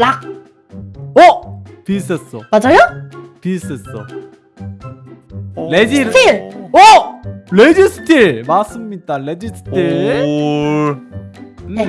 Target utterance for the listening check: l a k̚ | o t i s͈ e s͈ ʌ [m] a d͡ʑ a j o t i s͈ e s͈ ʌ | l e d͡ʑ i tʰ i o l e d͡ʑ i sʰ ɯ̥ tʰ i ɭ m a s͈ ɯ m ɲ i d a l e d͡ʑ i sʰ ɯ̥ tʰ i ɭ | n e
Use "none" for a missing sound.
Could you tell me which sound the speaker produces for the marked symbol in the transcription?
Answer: m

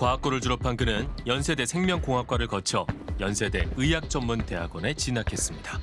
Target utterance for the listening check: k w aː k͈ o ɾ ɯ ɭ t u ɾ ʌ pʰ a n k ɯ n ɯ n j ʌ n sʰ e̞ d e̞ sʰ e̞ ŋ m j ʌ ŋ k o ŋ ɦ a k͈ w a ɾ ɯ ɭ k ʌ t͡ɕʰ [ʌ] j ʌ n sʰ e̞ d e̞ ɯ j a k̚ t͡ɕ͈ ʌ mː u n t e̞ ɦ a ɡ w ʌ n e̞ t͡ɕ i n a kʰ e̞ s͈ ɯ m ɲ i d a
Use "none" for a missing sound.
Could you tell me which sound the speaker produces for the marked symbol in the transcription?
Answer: ʌ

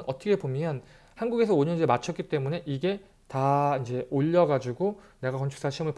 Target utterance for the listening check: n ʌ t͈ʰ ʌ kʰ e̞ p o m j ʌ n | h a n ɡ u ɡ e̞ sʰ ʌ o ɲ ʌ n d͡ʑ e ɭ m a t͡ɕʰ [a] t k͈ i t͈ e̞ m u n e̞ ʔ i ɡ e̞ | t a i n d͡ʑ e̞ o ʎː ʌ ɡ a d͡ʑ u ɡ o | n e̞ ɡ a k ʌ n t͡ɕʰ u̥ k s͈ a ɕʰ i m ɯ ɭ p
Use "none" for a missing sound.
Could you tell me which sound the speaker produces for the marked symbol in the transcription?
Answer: ʌ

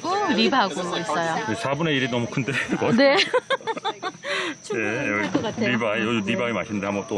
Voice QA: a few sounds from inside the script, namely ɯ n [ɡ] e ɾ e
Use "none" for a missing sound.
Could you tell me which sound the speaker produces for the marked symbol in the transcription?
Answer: d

